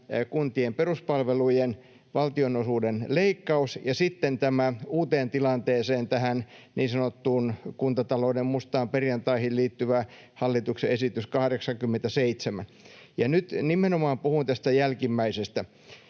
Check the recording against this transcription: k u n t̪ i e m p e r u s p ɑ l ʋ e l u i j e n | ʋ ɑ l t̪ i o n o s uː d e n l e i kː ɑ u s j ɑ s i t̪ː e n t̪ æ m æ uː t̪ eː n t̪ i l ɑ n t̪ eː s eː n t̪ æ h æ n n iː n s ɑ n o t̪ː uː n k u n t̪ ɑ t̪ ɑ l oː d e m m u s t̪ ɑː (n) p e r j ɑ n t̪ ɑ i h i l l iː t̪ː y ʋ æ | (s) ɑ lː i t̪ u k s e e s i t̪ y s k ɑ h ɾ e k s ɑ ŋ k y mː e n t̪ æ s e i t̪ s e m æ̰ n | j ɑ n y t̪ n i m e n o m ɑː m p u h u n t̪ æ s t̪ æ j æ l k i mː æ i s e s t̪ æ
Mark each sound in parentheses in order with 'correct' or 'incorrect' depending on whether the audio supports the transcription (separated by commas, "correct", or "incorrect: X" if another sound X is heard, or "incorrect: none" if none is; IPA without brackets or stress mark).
incorrect: m, incorrect: h